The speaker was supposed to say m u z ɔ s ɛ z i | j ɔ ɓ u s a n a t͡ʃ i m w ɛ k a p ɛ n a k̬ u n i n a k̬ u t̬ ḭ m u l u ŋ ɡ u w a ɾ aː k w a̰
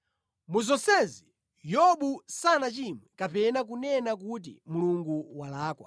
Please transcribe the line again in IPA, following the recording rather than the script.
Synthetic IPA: m u z ɔ s ɛ z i | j ɔ ɓ u s a n a t͡ʃ i m w ɛ k a p ɛ n a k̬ u n ɛ n a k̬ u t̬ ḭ m u l u ŋ ɡ u w a l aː k w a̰